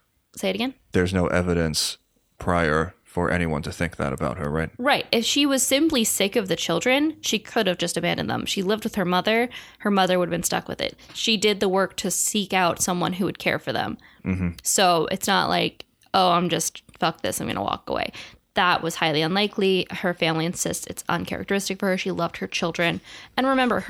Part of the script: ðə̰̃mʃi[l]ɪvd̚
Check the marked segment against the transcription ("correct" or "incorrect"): correct